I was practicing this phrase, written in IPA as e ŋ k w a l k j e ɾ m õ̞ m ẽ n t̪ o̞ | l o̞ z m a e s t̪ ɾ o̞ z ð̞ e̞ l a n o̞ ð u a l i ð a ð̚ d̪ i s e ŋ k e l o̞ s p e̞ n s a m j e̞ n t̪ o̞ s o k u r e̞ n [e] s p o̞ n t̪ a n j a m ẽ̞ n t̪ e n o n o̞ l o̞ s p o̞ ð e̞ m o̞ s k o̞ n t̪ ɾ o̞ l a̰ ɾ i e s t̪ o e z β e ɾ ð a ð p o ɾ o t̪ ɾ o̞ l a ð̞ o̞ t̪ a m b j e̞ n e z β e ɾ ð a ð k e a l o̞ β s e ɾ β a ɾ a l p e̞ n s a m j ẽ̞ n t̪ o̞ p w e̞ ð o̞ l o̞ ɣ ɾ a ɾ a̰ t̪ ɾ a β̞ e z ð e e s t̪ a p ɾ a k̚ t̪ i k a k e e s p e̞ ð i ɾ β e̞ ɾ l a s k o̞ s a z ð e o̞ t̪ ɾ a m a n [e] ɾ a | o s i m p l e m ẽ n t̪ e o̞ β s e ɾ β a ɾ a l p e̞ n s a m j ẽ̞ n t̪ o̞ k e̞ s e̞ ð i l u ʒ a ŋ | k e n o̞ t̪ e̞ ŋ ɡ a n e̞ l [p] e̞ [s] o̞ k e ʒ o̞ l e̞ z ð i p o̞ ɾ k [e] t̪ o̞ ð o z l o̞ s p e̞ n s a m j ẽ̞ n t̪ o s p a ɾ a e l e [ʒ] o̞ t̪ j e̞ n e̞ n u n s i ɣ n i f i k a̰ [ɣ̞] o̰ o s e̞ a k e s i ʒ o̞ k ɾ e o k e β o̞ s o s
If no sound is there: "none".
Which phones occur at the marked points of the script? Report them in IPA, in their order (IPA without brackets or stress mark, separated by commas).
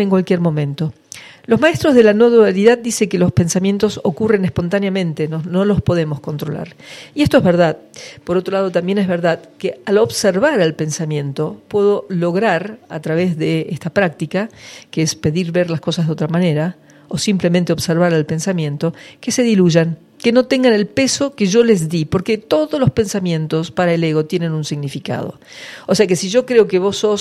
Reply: e, e, p, s, e, ɣ, ð̞